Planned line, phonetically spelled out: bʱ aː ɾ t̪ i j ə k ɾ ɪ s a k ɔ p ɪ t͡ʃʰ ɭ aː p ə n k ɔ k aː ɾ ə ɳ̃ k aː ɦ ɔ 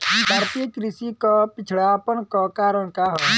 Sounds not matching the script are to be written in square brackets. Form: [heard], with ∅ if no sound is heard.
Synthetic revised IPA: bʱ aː ɾ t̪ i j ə k ɾ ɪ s [i] k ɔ p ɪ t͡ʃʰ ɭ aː p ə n k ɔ k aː ɾ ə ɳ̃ k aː ɦ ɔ